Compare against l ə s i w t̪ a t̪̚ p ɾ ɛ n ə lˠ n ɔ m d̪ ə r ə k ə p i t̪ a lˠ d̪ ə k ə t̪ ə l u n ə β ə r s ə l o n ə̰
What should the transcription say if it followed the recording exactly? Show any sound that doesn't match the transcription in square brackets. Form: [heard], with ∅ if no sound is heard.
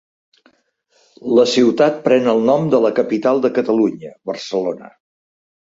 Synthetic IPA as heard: l ə s i w t̪ a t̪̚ p ɾ ɛ n ə lˠ n ɔ m d̪ ə [l] ə k ə p i t̪ a lˠ d̪ ə k ə t̪ ə l u [ɲ] ə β ə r s ə l o n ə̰